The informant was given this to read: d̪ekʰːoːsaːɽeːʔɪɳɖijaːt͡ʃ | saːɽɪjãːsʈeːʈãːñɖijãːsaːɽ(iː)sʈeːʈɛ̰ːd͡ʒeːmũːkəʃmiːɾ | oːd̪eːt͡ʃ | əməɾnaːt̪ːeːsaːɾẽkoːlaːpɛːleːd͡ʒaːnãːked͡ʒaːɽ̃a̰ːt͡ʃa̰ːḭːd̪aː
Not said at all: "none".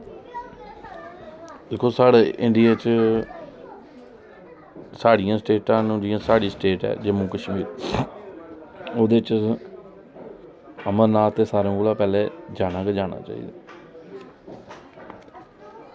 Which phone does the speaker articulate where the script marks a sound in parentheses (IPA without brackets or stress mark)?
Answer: iː